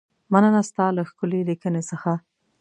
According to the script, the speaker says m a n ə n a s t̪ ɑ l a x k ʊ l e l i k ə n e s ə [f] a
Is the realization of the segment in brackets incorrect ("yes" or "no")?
yes